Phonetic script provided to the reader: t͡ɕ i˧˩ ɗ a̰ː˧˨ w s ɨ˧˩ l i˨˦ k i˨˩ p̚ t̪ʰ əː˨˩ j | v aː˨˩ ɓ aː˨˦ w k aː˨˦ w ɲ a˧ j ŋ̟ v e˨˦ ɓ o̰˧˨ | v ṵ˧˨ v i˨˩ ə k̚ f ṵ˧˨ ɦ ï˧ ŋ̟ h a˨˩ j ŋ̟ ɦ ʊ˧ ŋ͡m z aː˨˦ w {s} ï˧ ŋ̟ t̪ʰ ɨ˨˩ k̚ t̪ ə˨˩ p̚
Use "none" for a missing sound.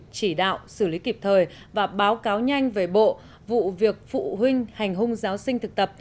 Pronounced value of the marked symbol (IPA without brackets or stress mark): s